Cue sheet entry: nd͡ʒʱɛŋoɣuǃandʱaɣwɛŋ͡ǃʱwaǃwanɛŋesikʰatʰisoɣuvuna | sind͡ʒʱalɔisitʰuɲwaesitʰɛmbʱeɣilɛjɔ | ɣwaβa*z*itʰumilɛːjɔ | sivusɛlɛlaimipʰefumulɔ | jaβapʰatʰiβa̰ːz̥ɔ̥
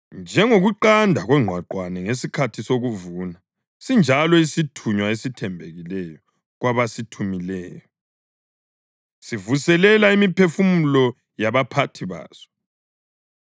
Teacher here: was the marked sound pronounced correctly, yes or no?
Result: no